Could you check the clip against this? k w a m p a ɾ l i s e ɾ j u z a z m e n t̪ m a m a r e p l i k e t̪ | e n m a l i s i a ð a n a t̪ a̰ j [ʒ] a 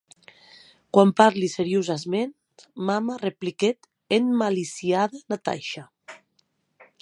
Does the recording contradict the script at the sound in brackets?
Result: yes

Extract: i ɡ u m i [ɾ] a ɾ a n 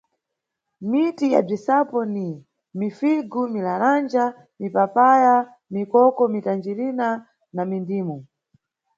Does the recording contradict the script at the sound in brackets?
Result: yes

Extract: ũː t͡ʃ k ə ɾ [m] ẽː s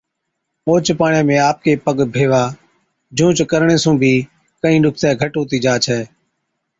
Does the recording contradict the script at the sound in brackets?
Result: yes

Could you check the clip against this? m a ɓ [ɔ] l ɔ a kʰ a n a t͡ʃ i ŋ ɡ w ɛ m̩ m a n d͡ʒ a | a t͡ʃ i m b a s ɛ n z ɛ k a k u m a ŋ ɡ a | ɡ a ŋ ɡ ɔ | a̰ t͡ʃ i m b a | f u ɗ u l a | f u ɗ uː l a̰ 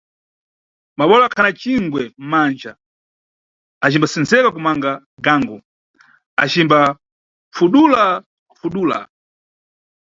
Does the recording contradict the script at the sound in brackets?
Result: no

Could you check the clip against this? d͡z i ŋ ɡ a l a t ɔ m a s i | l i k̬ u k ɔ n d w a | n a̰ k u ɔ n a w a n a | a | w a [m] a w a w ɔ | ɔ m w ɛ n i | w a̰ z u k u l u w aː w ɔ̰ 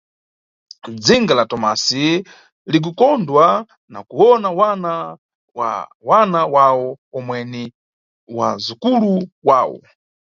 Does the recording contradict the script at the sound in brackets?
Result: yes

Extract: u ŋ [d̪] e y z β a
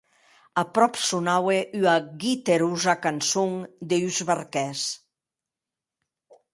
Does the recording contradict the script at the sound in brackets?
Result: no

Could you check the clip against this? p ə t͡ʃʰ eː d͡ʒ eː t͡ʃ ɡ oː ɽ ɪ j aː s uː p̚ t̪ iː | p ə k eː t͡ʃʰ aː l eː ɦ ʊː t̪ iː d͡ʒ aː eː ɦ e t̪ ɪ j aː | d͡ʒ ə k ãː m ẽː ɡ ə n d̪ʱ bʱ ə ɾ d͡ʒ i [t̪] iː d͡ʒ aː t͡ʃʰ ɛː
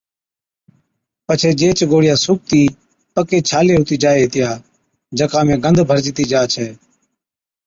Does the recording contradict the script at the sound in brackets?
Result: no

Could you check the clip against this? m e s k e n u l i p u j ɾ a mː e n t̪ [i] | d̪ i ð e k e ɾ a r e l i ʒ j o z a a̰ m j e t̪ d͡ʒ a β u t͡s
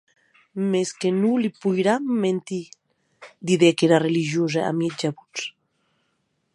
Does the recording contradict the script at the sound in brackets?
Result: no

